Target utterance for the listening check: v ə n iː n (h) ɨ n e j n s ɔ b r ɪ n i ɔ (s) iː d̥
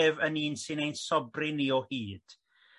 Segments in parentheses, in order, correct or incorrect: incorrect: s, incorrect: h

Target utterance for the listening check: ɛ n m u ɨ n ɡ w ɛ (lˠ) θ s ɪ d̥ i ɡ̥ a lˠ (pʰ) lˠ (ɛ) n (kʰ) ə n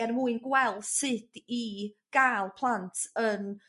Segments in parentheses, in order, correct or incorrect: correct, correct, incorrect: a, incorrect: tʰ

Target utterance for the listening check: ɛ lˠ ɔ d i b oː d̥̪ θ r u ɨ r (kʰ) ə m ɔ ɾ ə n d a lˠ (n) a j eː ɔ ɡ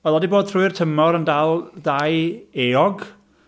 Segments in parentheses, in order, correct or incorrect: incorrect: tʰ, incorrect: d

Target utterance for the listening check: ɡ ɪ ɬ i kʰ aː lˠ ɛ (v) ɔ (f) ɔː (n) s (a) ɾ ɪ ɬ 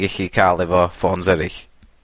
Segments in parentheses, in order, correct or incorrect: correct, correct, correct, incorrect: ɛ

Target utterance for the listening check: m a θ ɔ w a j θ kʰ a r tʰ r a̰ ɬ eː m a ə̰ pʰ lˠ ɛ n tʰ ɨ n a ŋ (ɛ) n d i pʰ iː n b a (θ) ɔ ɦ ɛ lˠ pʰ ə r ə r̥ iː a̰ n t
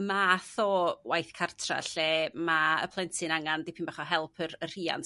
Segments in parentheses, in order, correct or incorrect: incorrect: a, incorrect: χ

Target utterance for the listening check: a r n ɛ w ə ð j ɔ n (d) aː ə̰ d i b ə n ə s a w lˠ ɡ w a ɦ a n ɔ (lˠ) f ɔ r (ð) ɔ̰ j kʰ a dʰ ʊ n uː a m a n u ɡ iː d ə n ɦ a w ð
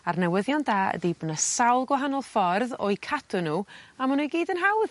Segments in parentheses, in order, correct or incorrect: correct, correct, correct

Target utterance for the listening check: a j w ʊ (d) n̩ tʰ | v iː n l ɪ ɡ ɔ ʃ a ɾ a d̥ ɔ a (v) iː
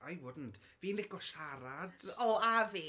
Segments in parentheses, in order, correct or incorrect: correct, correct

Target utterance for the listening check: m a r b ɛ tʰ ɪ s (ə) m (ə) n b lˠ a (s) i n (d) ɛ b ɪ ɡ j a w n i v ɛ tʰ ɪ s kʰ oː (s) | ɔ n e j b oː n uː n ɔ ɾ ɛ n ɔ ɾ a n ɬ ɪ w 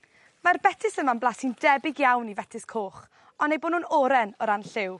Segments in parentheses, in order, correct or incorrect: correct, incorrect: a, correct, correct, incorrect: χ

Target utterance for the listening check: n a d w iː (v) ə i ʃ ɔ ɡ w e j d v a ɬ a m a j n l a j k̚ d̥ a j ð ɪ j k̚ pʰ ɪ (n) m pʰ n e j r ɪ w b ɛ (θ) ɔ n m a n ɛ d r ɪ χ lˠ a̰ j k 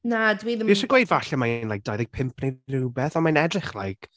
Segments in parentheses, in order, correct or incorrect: incorrect: ð, incorrect: none, correct

